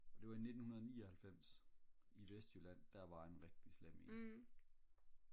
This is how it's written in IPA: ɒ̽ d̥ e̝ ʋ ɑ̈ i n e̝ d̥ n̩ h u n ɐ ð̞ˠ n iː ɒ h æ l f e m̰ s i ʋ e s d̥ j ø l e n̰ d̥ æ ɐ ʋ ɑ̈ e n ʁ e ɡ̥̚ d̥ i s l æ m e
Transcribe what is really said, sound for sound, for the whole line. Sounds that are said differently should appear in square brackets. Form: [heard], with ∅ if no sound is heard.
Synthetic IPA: ɒ̽ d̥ e̝ ʋ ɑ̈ i n e̝ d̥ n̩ h u n ɐ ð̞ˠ n iː ɒ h æ l f e m̰ s i ʋ e s d̥ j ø l [æ] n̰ d̥ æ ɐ ʋ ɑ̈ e n ʁ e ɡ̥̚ d̥ i s l [e] m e